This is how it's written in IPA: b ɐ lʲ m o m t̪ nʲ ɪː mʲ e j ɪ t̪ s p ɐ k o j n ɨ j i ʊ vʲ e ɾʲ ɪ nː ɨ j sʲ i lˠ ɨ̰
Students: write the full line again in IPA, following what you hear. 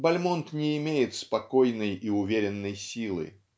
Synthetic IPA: b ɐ lʲ m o n t̪ nʲ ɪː mʲ e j ɪ t̪ s p ɐ k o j n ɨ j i ʊ vʲ e ɾʲ ɪ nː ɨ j sʲ i lˠ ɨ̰

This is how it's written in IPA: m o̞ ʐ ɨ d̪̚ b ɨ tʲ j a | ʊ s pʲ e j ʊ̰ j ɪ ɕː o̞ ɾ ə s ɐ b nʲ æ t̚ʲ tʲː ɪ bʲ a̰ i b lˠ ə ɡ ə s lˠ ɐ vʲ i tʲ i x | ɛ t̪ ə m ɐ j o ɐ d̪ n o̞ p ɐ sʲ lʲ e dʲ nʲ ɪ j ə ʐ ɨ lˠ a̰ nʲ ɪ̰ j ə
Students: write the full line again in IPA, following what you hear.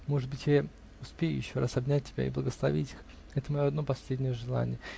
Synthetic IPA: m o̞ ʐ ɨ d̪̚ b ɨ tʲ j a | ʊ s pʲ e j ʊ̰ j ɪ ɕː o̞ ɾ a s ɐ b nʲ æ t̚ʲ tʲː ɪ bʲ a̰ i b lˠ ə ɡ ə s lˠ ɐ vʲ i tʲ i x | ɛ t̪ ə m ɐ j o ɐ d̪ n o̞ p ɐ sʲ lʲ e dʲ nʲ ɪ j ə ʐ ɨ lˠ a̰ nʲ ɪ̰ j ə

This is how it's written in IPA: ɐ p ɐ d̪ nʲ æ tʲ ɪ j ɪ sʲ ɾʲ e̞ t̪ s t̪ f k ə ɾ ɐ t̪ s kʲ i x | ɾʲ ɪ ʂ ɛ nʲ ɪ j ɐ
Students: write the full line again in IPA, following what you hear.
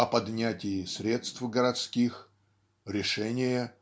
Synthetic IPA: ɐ p ɐ d̪ nʲ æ tʲ ɪ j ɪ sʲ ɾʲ e̞ t̪ s t̪ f ɡ ə ɾ ɐ t̪ s kʲ i x | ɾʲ ɪ ʂ ɛ nʲ ɪ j ə

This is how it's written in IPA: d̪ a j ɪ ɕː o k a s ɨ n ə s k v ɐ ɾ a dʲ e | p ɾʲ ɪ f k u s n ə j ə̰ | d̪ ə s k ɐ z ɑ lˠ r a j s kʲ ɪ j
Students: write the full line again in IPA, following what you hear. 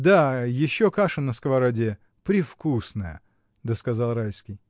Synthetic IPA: d̪ a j ɪ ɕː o k a ʂ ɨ n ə s k v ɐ ɾ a dʲ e | p ɾʲ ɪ f k u s n ə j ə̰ | d̪ ə s k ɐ z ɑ lˠ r a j s kʲ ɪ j

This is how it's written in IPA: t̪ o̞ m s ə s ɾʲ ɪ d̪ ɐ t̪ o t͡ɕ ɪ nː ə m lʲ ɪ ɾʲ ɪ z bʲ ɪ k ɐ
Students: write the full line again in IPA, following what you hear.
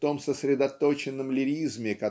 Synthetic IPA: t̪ o̞ m s ə s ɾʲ ɪ d̪ ɐ t̪ o t͡ɕ ɪ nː ə m lʲ ɪ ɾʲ i z mʲ ɪ k ɐ

